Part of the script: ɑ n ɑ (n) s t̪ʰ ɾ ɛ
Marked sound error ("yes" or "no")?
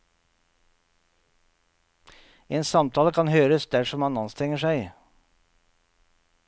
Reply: no